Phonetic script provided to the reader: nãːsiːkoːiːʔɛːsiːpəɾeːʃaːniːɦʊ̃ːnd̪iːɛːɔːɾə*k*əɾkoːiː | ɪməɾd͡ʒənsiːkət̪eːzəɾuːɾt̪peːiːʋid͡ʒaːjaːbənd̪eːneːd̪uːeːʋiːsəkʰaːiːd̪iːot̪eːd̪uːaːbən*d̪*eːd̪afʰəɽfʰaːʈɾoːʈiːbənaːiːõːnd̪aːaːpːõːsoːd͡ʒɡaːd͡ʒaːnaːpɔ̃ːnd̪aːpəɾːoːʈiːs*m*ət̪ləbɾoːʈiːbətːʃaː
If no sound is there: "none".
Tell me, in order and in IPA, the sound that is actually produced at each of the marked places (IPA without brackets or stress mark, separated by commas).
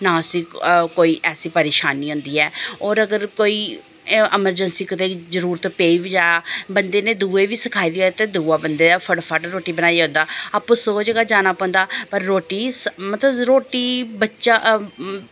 ɡ, d̪, m